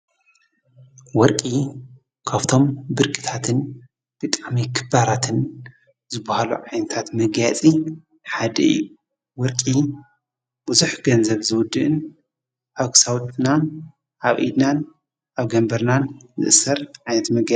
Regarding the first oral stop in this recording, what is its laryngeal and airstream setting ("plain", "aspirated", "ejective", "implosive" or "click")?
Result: ejective